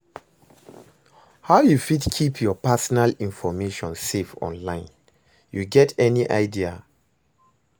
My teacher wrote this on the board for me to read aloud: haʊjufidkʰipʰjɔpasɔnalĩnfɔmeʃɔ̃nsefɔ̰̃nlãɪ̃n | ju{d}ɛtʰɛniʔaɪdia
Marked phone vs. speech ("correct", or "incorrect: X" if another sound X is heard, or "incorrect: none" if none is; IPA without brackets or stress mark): incorrect: ɡ